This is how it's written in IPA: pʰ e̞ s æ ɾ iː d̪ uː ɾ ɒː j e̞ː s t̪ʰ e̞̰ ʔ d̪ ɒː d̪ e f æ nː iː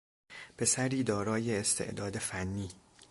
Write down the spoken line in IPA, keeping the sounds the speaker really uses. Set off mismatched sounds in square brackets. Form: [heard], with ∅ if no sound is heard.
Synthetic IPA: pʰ e̞ s æ ɾ iː d̪ [ɒː] ɾ ɒː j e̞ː s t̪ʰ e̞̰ ʔ d̪ ɒː d̪ e f æ nː iː